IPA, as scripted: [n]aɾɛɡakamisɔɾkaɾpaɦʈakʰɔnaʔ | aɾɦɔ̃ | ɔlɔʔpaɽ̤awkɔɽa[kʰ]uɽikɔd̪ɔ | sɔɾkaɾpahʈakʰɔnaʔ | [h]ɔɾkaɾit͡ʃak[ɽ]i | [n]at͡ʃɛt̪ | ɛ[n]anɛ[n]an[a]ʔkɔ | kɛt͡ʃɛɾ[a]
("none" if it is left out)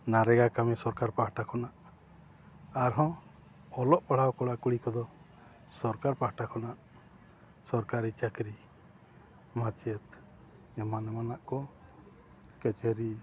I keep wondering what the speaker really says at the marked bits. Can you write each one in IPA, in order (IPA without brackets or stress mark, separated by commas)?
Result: n, k, s, ɾ, m, m, m, a, i